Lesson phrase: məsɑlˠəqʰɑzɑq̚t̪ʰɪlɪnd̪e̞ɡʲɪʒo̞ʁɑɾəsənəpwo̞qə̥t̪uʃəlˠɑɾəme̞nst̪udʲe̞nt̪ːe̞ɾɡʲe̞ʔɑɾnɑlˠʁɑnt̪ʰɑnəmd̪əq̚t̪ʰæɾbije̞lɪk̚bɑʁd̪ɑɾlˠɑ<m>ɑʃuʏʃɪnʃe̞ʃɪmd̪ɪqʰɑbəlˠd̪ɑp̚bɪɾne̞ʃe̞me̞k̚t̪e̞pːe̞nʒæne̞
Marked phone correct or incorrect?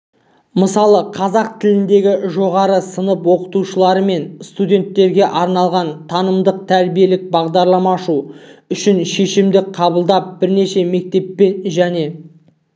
correct